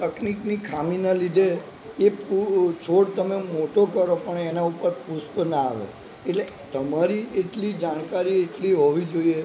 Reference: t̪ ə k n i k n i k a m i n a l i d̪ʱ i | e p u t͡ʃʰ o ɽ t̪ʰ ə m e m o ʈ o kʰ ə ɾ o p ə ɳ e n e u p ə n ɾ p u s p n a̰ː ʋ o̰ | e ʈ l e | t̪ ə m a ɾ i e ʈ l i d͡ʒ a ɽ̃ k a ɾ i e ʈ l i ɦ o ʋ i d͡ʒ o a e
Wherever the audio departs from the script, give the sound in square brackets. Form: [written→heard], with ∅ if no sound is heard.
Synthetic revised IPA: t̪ ə k n i k n i [k→kʰ] a m i n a l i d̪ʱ [i→e] | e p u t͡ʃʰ o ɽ [t̪ʰ→t̪] ə m e m o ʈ o [kʰ→k] ə ɾ o p ə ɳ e n [e→a] u p ə [n→∅] ɾ p u s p n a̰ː ʋ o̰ | e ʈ l e | t̪ ə m a ɾ i e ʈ l i d͡ʒ a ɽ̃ k a ɾ i e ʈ l i ɦ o ʋ i d͡ʒ o [a→i] e